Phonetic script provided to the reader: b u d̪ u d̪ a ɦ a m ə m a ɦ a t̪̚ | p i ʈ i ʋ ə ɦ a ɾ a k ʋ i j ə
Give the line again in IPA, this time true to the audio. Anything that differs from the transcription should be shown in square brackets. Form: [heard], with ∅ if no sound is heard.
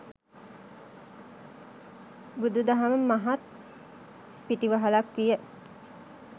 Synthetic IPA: b u d̪ u d̪ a ɦ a m ə m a ɦ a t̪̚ | p i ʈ i ʋ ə ɦ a [l] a k ʋ i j ə